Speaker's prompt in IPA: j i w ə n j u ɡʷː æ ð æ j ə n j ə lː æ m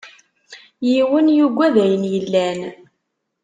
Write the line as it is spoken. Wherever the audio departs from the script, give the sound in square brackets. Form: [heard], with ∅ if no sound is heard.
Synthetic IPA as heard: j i w ə n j u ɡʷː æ ð æ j ə n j ə lː æ [n]